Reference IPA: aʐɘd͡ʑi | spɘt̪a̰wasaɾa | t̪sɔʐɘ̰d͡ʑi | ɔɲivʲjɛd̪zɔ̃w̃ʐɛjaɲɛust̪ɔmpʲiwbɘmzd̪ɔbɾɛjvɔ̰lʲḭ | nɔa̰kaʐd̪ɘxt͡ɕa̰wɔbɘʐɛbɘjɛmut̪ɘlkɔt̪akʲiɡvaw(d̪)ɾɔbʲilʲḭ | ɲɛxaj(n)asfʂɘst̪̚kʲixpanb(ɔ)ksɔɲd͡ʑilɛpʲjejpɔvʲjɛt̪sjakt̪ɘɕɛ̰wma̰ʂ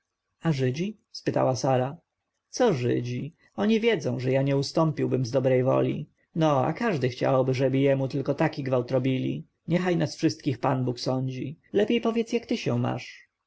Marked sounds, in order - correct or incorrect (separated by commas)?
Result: incorrect, correct, incorrect